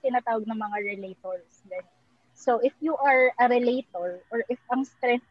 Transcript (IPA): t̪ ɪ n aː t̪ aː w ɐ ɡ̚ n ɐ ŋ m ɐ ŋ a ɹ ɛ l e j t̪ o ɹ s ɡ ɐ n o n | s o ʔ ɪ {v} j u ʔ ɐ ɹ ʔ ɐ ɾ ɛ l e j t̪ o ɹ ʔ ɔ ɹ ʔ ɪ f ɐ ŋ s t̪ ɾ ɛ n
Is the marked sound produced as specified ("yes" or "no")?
no